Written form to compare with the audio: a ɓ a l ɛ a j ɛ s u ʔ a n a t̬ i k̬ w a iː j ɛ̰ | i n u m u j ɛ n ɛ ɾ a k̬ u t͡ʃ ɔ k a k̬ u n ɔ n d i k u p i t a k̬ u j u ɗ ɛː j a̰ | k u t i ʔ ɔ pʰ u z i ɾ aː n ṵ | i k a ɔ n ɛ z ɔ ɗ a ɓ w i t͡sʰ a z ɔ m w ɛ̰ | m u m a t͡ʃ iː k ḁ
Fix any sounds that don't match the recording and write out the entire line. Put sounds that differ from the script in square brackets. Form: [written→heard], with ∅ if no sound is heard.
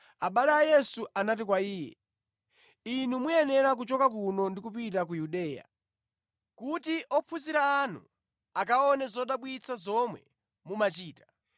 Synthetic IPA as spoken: a ɓ a l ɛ a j ɛ s u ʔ a n a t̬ i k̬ w a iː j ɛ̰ | i n u m u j ɛ n ɛ ɾ a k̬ u t͡ʃ ɔ k a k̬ u n ɔ n d i k u p i t a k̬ u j u ɗ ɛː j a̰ | k u t i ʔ ɔ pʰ u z i ɾ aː n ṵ | [i→a] k a ɔ n ɛ z ɔ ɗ a ɓ w i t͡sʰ a z ɔ m w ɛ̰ | m u m a t͡ʃ iː [k→t] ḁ